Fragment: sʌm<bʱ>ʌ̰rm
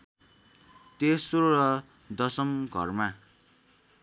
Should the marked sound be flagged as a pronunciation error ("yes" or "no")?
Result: yes